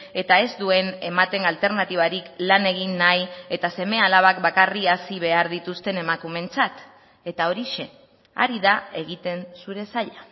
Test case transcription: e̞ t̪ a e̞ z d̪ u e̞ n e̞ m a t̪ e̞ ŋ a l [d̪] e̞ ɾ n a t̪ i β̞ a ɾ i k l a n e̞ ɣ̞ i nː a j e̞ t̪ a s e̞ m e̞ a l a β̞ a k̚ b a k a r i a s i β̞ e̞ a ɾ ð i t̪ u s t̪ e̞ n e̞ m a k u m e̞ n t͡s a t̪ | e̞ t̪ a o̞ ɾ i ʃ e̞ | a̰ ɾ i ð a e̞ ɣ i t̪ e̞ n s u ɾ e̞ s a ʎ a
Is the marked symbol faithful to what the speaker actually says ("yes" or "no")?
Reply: no